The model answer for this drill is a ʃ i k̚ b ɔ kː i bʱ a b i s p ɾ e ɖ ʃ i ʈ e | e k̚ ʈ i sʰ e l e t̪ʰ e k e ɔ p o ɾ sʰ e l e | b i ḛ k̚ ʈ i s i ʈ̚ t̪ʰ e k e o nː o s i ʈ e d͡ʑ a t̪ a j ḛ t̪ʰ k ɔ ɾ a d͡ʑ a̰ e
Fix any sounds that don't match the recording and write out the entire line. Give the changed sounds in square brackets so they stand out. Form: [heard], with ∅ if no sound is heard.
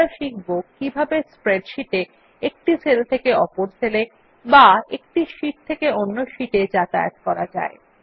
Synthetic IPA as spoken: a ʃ i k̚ b [o] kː i bʱ a b [e] s p ɾ e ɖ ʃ i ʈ e | e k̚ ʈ i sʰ e l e t̪ʰ e k e ɔ p o ɾ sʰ e l e | b [a] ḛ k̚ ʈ i [ʃ] i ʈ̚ t̪ʰ e k e o nː o [ʃ] i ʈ e d͡ʑ a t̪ a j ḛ [t̪] k ɔ ɾ a d͡ʑ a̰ e

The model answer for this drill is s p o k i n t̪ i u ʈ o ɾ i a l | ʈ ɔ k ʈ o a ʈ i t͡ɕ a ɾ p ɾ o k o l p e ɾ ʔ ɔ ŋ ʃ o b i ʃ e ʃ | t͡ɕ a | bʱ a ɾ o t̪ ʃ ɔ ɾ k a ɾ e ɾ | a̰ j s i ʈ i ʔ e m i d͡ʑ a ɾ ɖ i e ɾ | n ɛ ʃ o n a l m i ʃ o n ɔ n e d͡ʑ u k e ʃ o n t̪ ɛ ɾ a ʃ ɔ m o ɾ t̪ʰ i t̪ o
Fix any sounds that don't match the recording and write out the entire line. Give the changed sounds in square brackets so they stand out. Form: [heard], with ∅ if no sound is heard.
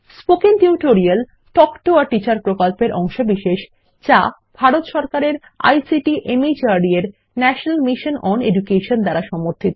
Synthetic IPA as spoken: s p o k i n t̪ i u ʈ o ɾ i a l | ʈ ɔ k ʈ o a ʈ i t͡ɕ a ɾ p ɾ o k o l p e ɾ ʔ ɔ ŋ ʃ o b i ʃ e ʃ | t͡ɕ a | bʱ a ɾ o t̪ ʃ ɔ ɾ k a ɾ e ɾ | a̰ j s i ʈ i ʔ e m i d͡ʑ a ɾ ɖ i e ɾ | n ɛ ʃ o n a l m i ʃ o n ɔ n e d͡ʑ u k e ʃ o n [d̪] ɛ ɾ a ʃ ɔ m o ɾ t̪ʰ i t̪ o

